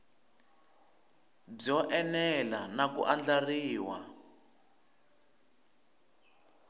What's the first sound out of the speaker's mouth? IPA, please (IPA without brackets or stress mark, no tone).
b͡ʐ